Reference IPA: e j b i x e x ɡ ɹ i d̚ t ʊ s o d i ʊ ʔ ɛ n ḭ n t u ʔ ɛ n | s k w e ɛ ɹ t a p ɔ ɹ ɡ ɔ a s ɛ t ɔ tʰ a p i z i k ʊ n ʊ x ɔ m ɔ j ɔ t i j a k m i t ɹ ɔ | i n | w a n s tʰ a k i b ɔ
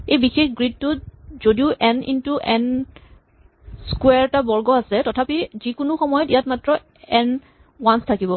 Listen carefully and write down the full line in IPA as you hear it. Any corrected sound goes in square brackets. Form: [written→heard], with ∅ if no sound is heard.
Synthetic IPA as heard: e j b i x e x ɡ ɹ i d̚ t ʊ [s→z] o d i ʊ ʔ ɛ n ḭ n t u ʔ ɛ n | s k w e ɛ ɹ t a [p→b] ɔ ɹ ɡ ɔ a s ɛ t ɔ tʰ a p i z i k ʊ n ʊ x ɔ m ɔ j ɔ t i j a [k→t] m [i→a] t ɹ ɔ | [i→ɛ] n | w a n s tʰ a k i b ɔ